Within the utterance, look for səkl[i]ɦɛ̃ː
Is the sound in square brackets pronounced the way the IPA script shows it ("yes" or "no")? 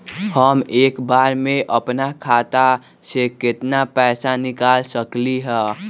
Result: yes